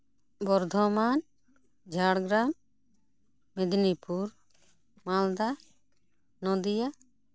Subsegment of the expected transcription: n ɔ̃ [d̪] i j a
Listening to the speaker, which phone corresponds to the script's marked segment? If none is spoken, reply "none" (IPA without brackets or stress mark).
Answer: d̪